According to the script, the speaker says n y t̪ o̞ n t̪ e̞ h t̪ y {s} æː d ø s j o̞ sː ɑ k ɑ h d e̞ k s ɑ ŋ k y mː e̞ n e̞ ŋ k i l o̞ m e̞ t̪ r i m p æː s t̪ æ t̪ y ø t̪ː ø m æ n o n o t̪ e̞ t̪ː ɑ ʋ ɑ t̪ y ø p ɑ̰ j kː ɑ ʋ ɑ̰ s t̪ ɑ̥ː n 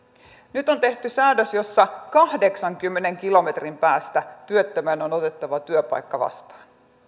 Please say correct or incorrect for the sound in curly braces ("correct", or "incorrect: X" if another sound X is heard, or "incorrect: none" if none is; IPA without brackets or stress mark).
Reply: correct